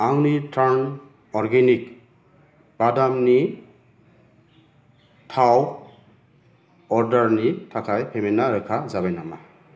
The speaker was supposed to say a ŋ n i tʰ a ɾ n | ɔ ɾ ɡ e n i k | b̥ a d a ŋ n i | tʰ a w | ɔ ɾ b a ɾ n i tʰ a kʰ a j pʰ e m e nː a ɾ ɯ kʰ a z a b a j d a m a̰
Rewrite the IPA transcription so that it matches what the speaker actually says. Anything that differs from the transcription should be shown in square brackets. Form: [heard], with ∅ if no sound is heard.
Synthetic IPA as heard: a ŋ n i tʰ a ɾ n | ɔ ɾ ɡ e n i k | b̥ a d a [m] n i | tʰ a w | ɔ ɾ [d] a ɾ n i tʰ a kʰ a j pʰ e m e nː a ɾ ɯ kʰ a z a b a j [n] a m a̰